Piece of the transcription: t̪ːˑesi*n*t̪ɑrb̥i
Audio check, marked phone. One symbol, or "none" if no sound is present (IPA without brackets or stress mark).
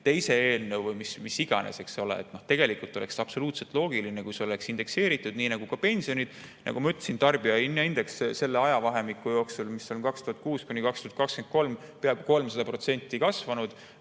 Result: n